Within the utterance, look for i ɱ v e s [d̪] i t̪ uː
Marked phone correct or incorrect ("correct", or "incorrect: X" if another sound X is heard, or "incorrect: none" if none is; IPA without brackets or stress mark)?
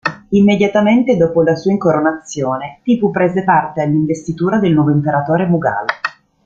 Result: incorrect: t̪